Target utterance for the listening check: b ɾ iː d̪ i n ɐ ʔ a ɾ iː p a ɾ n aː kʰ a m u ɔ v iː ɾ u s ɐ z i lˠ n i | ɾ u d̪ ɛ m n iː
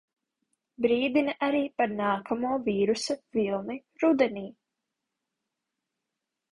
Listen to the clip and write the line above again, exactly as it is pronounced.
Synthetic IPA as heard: b ɾ iː d̪ i n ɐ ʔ a ɾ iː p a ɾ n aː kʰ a m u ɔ v iː ɾ u s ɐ v i lˠ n i | ɾ u d̪ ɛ n iː